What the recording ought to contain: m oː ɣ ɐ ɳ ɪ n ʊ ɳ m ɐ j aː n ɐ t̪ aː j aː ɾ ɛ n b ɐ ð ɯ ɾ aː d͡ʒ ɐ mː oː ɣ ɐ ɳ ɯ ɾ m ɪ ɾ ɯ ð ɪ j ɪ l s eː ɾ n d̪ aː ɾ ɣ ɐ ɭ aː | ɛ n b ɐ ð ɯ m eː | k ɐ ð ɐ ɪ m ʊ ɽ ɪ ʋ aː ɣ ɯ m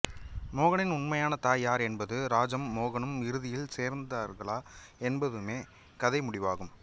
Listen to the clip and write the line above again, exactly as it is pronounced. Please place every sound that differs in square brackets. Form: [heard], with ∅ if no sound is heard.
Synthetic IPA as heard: m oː ɣ ɐ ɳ ɪ n ʊ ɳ m ɐ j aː n ɐ t̪ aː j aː ɾ ɛ n b ɐ ð ɯ ɾ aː d͡ʒ ɐ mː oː ɣ ɐ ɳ ɯ [∅] m ɪ ɾ ɯ ð ɪ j ɪ l s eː ɾ n d̪ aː ɾ ɣ ɐ ɭ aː | ɛ n b ɐ ð ɯ m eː | k ɐ ð ɐ ɪ m ʊ ɽ ɪ ʋ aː ɣ ɯ m

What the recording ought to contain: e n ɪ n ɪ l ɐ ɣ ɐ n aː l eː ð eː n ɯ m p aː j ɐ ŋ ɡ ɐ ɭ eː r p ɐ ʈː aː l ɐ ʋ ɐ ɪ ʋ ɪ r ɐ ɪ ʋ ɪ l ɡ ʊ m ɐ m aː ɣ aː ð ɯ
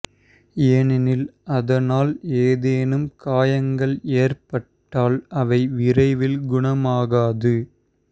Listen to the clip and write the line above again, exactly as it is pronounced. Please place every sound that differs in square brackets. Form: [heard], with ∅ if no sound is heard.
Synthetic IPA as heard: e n ɪ n ɪ l ɐ [ð] ɐ n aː l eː ð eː n ɯ m [k] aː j ɐ ŋ ɡ ɐ ɭ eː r p ɐ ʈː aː l ɐ ʋ ɐ ɪ ʋ ɪ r ɐ ɪ ʋ ɪ l ɡ ʊ [ɳ] ɐ m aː ɣ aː ð ɯ

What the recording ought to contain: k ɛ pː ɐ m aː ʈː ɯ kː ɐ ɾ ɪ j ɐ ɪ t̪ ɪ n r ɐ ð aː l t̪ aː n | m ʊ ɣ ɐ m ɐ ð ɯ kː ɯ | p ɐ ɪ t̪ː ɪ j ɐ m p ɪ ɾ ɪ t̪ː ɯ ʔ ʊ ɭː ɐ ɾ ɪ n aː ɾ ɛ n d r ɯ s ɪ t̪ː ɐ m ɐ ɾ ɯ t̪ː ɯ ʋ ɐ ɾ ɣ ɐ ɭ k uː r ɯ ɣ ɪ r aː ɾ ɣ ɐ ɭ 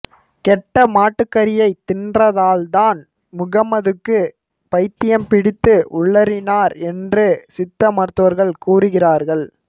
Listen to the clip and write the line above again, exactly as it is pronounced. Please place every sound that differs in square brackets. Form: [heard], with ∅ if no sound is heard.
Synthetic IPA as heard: k ɛ [ʈː] ɐ m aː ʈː ɯ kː ɐ ɾ ɪ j ɐ ɪ t̪ ɪ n r ɐ ð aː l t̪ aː n | m ʊ ɣ ɐ m ɐ ð ɯ kː ɯ | p ɐ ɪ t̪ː ɪ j ɐ m p ɪ [ɽ] ɪ t̪ː ɯ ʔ ʊ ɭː ɐ ɾ ɪ n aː ɾ ɛ n d r ɯ s ɪ t̪ː ɐ m ɐ ɾ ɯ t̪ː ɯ ʋ ɐ ɾ ɣ ɐ ɭ k uː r ɯ ɣ ɪ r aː ɾ ɣ ɐ ɭ

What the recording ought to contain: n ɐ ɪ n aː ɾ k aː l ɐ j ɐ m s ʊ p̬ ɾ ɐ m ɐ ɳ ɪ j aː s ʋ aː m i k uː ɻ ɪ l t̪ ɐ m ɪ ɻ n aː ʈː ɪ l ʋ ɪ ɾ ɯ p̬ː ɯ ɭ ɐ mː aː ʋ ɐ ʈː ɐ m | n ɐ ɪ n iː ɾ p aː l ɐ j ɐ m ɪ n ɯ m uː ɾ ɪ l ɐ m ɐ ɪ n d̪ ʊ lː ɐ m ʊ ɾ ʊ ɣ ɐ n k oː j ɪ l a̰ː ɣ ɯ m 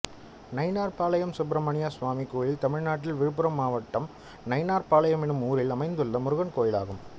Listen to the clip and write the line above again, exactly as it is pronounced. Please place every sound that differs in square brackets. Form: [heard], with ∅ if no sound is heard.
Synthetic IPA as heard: n ɐ ɪ n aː ɾ [p] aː l ɐ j ɐ m s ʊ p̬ ɾ ɐ m ɐ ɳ ɪ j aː s ʋ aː m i k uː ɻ ɪ l t̪ ɐ m ɪ ɻ n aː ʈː ɪ l ʋ ɪ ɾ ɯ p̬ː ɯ [ɾ] ɐ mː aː ʋ ɐ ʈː ɐ m | n ɐ ɪ n [aː] ɾ p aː l ɐ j ɐ m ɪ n ɯ m uː ɾ ɪ l ɐ m ɐ ɪ n d̪ [ɯ] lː ɐ m ʊ ɾ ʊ ɣ ɐ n k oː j ɪ l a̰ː ɣ ɯ m

